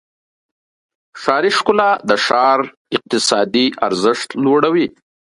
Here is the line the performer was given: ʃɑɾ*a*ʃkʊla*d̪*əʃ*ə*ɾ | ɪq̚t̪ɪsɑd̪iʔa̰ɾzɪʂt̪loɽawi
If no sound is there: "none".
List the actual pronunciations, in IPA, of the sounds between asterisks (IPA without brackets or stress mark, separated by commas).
i, d̪, ɑ